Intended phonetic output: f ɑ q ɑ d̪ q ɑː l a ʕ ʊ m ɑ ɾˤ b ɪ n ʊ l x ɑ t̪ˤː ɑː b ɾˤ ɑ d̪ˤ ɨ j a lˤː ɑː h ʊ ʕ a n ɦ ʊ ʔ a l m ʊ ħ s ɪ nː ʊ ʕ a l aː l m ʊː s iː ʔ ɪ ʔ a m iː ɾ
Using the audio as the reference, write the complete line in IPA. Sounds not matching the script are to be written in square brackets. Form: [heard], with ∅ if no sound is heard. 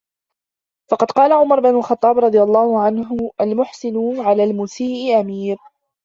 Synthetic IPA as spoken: f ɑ q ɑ d̪ q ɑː l a ʕ ʊ m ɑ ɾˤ b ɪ n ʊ l x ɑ t̪ˤː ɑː b ɾˤ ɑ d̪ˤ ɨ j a lˤː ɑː h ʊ ʕ a n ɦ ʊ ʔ a l m ʊ ħ s ɪ [n] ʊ ʕ a l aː l m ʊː s iː ʔ ɪ ʔ a m iː ɾ